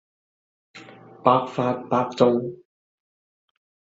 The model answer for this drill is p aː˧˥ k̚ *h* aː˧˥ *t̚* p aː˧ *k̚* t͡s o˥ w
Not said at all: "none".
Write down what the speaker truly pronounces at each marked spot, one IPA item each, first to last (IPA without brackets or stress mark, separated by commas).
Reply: f, t̚, k̚